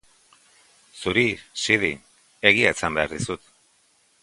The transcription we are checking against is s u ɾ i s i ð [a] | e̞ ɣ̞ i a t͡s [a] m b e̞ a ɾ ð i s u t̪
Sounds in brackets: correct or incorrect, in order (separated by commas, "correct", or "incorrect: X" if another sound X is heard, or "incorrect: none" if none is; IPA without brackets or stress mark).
incorrect: i, correct